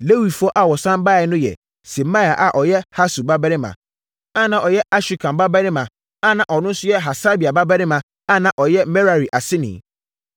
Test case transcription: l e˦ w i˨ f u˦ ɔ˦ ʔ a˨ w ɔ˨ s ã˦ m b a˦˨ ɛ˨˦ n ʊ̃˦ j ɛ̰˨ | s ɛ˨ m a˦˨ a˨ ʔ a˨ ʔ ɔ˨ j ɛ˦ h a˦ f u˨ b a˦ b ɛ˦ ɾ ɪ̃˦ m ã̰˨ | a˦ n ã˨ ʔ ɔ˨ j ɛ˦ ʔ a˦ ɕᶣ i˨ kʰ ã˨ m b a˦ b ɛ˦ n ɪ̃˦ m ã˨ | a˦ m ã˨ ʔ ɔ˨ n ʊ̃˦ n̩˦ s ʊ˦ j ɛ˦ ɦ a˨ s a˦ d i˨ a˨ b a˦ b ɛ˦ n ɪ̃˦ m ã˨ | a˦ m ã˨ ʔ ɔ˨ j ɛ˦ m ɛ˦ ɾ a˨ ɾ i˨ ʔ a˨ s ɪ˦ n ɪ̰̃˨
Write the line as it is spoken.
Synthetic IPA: l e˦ w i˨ f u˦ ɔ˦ ʔ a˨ w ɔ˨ s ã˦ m b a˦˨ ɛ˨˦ n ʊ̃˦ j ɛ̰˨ | s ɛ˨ m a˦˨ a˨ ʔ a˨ ʔ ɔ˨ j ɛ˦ h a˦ s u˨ b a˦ b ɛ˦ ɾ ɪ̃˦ m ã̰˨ | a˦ n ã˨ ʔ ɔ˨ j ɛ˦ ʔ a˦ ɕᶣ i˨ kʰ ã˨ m b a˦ b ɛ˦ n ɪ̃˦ m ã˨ | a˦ n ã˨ ʔ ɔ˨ n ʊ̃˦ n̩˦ s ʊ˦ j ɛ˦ ɦ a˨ s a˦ b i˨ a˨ b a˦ b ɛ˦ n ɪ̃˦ m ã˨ | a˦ n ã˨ ʔ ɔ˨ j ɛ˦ m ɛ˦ ɾ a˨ ɾ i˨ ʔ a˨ s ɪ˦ n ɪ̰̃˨